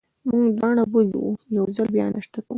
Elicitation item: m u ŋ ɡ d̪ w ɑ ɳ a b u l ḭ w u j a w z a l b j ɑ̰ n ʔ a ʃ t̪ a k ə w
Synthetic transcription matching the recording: m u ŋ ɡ d̪ w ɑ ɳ a b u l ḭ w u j a w z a l b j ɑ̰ n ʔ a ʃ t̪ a k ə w